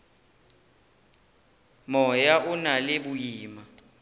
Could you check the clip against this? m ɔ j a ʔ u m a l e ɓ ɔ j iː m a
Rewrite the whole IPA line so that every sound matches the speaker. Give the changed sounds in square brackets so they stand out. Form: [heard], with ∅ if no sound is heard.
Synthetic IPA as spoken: m ɔ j a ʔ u [n] a l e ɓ [u] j iː m a